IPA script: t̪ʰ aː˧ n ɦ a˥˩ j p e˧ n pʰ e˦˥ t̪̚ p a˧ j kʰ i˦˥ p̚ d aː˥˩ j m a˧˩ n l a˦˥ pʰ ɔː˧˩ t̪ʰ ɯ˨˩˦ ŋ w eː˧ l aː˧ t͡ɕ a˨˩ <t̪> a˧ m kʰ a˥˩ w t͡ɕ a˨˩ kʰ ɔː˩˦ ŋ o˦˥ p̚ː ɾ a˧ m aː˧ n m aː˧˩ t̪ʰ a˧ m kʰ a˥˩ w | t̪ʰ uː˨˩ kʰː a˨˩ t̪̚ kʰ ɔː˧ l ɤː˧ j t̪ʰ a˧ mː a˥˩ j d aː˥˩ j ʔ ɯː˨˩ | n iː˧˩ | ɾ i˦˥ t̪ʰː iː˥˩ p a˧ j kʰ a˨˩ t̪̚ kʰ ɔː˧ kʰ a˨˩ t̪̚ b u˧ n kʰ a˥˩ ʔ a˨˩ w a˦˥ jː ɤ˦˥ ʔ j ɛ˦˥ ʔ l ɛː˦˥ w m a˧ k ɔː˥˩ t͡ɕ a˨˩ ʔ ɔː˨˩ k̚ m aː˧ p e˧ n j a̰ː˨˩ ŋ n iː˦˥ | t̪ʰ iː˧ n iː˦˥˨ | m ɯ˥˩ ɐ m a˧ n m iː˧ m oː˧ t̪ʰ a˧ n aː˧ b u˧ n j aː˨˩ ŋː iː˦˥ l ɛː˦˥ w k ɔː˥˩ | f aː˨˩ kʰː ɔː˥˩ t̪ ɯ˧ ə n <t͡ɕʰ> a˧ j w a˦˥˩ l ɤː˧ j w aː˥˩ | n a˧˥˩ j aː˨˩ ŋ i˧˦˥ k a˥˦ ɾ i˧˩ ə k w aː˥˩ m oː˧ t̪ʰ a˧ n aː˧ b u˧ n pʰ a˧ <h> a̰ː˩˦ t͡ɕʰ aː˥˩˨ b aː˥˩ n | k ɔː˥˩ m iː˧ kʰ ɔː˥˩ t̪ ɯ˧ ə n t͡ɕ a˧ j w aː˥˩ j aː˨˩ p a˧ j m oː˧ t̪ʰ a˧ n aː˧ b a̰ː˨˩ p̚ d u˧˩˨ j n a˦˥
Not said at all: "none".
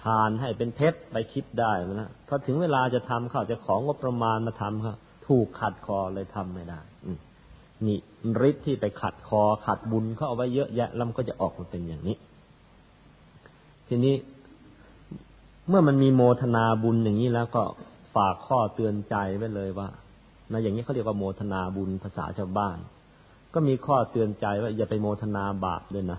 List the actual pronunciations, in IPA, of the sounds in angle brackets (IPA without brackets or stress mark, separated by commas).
t̪ʰ, t͡ɕ, s